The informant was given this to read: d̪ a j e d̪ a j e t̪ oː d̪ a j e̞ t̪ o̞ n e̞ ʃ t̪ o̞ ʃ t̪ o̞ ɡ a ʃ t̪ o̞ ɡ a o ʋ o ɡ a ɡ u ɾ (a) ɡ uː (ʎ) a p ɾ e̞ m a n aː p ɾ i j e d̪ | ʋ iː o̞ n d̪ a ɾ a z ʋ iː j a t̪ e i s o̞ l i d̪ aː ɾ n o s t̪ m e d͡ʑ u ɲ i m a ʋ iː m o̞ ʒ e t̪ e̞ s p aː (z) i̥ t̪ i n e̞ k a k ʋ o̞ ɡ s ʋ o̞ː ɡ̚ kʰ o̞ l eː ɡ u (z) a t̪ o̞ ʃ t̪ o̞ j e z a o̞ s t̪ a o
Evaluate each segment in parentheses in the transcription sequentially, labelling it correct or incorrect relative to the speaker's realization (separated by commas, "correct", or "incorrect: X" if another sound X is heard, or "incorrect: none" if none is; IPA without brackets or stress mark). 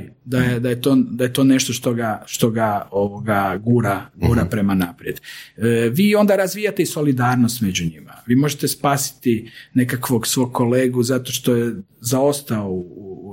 correct, incorrect: ɾ, incorrect: s, correct